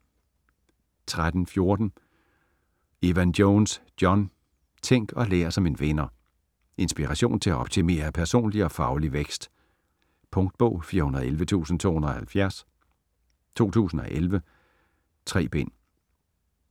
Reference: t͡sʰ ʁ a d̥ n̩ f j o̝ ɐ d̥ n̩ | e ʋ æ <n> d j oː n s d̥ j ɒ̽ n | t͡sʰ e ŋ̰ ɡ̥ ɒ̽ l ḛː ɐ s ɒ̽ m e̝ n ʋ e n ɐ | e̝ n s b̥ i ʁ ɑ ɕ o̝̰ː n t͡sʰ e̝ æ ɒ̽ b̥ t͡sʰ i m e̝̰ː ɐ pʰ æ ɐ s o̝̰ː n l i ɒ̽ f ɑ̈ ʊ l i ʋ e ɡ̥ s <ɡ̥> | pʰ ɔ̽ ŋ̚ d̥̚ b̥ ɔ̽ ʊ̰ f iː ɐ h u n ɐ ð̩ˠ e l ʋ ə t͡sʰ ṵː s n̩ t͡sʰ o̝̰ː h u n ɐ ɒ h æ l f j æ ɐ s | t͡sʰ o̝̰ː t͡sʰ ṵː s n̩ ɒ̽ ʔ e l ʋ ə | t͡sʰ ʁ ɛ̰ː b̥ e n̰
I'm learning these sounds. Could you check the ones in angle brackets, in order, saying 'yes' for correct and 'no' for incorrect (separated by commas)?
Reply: yes, no